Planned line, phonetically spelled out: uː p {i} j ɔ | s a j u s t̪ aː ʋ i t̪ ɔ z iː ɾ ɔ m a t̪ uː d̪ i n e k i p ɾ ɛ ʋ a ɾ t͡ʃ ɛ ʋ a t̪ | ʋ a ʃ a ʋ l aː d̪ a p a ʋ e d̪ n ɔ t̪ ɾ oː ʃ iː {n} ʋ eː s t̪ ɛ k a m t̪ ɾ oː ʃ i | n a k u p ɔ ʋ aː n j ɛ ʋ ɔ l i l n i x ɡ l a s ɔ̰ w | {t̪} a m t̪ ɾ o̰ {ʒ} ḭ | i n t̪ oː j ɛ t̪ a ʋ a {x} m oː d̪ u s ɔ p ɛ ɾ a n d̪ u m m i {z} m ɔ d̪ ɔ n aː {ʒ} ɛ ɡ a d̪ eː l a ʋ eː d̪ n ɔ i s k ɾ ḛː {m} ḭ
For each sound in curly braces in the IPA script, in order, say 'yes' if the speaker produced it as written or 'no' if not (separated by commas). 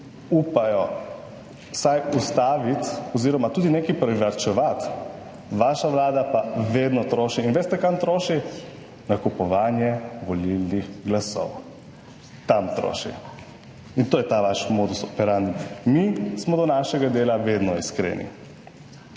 no, yes, yes, no, no, no, no, no